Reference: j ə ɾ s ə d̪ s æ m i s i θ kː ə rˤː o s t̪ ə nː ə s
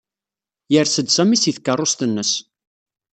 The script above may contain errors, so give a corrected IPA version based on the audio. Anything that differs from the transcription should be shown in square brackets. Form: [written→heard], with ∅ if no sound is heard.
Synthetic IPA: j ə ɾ s ə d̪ s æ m i s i θ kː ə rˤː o s t̪ ə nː ə s